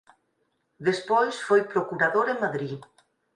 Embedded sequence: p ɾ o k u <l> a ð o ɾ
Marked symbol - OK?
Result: no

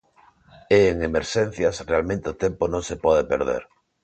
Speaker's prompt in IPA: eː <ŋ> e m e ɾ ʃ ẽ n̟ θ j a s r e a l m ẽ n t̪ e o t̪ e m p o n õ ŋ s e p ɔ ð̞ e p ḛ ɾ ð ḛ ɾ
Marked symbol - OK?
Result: yes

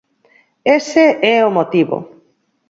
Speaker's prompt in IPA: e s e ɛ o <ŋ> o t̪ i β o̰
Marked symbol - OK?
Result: no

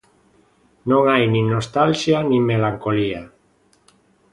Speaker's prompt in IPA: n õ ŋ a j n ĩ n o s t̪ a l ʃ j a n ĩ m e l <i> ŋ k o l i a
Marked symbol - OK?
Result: no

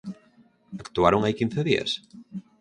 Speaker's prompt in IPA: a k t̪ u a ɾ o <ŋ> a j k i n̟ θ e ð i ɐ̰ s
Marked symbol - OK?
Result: yes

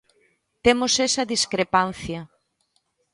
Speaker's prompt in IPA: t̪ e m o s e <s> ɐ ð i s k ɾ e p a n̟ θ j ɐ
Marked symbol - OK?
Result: yes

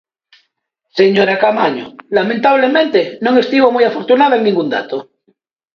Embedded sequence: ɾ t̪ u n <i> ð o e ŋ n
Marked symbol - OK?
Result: no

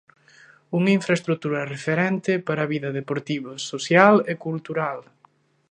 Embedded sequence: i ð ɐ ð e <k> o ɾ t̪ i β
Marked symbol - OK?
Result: no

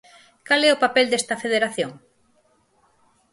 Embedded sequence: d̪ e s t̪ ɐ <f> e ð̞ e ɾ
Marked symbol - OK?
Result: yes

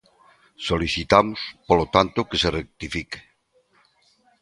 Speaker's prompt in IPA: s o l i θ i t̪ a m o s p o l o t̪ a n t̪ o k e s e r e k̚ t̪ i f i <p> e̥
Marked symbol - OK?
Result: no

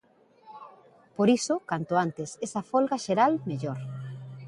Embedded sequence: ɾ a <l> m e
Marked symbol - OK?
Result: yes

